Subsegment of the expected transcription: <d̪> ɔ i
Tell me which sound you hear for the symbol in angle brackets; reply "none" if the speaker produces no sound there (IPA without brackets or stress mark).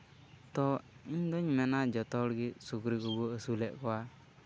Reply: t̪